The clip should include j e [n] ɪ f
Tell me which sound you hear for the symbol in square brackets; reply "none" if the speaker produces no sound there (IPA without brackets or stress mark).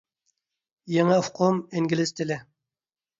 ŋ